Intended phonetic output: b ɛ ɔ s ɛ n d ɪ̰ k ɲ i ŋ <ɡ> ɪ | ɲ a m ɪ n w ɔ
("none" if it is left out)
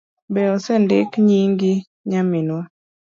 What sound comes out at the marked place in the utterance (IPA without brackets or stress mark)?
ɡ